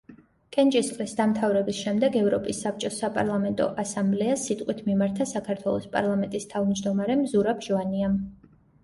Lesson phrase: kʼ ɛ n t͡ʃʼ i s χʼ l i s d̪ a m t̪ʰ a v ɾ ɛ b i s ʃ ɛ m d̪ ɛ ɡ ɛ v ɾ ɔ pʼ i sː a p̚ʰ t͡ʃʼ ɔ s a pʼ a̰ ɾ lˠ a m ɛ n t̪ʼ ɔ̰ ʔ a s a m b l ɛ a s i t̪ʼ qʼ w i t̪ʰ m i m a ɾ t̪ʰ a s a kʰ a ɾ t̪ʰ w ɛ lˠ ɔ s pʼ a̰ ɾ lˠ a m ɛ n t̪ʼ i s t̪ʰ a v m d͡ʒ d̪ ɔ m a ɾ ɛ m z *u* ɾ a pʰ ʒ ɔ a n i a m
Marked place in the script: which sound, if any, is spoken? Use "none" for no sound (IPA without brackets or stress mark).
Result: u